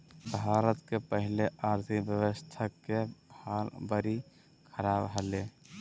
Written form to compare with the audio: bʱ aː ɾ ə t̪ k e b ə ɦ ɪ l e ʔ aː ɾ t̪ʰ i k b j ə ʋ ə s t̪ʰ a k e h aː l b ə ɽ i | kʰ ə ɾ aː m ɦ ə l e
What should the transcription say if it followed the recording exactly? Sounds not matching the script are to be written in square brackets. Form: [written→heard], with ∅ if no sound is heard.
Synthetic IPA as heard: bʱ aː ɾ ə t̪ k e [b→p] ə ɦ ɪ l e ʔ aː ɾ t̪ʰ i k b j ə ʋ ə s t̪ʰ a k e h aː l b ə [ɽ→ɾ] i | kʰ ə ɾ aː [m→b] ɦ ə l e